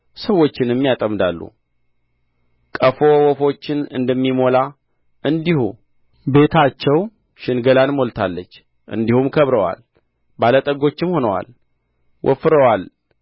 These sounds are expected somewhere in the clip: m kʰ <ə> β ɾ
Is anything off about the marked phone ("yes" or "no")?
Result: no